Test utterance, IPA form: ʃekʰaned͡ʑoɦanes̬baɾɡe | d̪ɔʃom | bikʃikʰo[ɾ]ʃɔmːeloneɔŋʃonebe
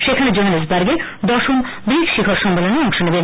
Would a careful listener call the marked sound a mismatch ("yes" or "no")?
no